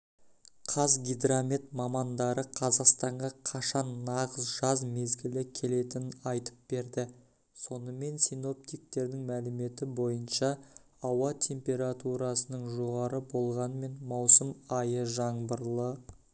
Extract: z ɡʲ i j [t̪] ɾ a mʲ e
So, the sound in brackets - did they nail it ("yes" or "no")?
no